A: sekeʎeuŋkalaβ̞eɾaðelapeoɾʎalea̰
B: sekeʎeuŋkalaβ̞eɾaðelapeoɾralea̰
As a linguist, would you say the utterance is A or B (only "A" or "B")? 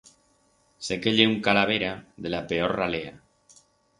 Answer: B